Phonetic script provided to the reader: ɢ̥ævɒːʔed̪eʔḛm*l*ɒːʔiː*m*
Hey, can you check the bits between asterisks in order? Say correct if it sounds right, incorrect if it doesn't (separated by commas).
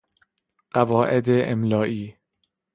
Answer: correct, incorrect